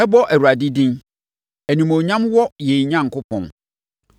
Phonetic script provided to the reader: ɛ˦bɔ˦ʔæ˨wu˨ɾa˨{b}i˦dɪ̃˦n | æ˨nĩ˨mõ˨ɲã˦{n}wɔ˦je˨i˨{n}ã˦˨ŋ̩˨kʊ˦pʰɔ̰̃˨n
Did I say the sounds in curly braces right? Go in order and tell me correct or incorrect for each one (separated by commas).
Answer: incorrect, incorrect, incorrect